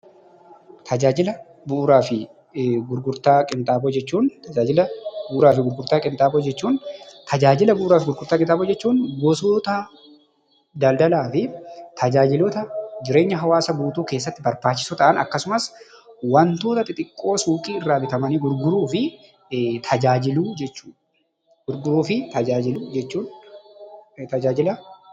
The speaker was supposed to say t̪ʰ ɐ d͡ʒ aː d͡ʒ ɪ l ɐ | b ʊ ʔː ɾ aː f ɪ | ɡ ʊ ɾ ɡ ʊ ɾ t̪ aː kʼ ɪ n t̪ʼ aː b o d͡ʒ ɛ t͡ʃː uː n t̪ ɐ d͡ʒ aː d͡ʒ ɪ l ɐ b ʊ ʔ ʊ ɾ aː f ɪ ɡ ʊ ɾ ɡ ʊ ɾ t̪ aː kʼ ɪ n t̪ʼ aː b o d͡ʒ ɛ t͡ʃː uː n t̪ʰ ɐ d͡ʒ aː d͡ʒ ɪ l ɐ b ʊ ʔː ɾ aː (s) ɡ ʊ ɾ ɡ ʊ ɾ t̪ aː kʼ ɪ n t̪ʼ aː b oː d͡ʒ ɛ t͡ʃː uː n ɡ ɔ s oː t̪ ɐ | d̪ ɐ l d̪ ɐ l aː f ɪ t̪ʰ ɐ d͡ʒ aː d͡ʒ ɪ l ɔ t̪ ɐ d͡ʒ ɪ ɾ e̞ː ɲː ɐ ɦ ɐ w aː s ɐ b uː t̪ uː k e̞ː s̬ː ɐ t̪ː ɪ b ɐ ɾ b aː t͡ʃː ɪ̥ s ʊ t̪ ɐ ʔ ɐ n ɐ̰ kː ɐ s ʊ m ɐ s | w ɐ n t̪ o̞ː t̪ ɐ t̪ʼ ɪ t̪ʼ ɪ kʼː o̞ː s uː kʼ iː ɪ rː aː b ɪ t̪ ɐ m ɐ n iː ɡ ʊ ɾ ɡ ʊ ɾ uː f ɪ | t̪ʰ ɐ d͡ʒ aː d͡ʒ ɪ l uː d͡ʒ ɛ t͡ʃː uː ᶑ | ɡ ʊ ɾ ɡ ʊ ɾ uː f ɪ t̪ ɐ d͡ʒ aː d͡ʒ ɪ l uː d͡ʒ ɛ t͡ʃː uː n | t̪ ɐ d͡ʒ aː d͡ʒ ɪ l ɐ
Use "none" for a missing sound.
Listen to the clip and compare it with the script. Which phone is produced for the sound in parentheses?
f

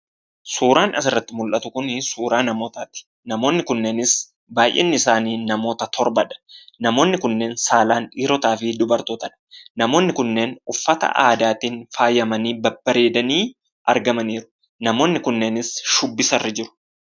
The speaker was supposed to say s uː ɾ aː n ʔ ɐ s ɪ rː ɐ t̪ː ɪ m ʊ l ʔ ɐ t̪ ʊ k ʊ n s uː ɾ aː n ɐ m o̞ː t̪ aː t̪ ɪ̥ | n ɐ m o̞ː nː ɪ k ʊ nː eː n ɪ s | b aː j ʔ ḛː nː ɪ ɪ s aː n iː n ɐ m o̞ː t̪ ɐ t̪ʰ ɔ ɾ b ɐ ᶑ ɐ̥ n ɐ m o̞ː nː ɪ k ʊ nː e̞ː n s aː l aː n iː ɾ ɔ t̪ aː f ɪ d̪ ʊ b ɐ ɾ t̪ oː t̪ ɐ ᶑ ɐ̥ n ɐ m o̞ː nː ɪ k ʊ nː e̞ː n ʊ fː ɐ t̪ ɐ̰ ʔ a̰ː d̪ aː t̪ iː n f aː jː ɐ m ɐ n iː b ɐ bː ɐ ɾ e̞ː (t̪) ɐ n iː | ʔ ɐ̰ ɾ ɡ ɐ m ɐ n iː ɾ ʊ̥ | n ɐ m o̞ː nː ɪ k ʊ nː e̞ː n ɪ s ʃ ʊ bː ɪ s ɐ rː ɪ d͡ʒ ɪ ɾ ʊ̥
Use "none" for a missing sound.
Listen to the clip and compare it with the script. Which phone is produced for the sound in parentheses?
d̪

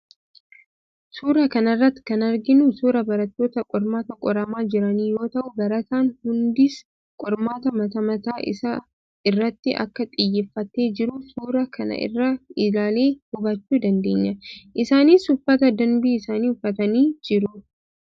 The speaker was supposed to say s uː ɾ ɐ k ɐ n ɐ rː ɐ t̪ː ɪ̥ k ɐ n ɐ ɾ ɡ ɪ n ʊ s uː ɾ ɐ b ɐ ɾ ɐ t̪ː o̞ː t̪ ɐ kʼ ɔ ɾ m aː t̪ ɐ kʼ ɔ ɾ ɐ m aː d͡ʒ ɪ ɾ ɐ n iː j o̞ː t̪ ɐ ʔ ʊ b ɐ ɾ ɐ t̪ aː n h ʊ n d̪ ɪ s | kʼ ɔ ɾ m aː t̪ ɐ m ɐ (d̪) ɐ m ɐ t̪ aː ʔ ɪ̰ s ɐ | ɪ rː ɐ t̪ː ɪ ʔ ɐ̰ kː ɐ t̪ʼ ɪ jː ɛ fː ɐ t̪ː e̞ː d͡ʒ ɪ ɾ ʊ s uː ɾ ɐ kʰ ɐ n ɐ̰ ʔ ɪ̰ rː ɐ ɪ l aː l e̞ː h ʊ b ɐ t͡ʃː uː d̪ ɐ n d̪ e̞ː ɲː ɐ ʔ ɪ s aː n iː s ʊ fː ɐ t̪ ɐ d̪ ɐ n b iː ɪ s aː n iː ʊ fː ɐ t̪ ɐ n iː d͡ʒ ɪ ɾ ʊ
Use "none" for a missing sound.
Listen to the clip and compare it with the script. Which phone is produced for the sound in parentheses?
t̪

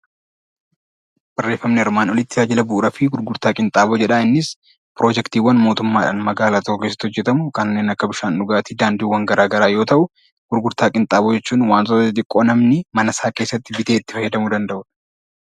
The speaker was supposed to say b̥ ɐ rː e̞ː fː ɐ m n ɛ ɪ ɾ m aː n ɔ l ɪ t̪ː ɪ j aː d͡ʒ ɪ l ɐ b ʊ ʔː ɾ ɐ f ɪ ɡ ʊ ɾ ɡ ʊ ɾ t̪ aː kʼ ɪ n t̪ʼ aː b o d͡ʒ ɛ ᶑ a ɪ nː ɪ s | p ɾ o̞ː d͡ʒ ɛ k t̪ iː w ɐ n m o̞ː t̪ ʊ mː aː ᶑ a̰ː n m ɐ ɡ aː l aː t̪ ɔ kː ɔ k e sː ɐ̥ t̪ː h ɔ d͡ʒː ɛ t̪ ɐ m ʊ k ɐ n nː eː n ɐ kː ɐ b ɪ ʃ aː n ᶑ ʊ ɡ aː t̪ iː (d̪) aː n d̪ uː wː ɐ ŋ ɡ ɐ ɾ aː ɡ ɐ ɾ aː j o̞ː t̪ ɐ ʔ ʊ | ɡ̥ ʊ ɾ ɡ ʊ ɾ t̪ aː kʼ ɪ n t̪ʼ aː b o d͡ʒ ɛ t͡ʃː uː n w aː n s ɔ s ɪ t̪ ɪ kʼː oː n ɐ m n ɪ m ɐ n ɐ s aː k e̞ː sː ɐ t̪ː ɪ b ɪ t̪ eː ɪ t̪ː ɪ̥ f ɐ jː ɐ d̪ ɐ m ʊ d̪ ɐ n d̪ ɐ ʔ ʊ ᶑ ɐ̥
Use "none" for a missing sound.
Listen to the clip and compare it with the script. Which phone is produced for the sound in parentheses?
d̪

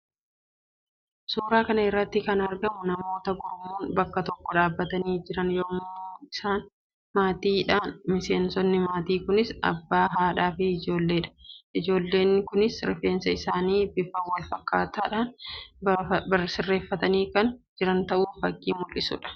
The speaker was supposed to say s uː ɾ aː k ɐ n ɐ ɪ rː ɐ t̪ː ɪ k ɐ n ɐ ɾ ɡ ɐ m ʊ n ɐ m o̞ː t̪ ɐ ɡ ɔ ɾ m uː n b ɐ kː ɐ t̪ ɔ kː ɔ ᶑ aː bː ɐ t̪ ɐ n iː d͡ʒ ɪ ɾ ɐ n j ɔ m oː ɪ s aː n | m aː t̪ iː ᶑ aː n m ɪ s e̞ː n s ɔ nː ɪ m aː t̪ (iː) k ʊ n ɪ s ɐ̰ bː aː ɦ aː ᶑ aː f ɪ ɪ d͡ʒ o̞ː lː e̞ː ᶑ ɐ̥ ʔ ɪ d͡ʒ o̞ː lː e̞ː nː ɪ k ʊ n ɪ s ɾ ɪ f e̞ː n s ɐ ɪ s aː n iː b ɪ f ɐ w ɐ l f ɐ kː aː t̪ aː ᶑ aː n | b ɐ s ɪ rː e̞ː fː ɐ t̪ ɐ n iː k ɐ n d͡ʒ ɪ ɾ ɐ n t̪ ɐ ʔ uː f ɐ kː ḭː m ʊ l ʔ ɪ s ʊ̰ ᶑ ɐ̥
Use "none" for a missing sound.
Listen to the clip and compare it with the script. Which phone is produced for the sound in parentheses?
iː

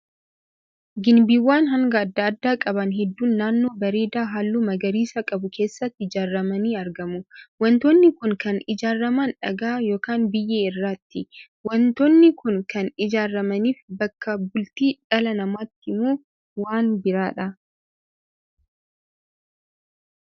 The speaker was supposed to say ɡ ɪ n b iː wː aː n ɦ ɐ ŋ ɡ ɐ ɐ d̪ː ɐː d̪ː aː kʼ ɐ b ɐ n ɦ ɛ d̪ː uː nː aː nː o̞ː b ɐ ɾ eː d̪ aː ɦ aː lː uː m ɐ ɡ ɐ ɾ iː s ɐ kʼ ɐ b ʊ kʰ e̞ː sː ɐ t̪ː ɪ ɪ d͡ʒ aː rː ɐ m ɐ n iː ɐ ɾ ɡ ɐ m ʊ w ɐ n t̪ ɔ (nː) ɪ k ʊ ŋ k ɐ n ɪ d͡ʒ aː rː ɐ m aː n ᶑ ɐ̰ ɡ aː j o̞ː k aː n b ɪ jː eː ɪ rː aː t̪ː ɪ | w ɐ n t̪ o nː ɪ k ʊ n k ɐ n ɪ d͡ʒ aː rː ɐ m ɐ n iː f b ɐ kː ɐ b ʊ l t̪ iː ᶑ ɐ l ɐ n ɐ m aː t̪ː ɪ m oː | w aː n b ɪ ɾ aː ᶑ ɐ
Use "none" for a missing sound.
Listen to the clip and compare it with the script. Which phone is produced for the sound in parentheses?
nː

